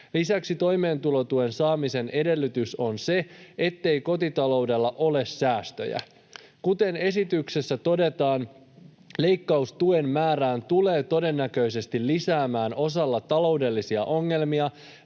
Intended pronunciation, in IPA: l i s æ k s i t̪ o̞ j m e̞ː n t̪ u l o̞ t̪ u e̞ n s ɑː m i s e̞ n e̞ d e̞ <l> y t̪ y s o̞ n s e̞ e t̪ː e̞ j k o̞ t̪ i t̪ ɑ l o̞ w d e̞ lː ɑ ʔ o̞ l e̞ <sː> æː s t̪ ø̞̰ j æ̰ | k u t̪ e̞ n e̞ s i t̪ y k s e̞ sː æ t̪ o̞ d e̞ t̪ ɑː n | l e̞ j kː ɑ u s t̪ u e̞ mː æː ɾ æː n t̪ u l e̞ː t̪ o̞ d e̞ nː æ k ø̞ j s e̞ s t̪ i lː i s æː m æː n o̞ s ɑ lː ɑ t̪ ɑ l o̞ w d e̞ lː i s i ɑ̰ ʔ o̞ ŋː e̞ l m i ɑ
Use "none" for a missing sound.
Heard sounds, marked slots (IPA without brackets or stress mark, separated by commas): lː, sː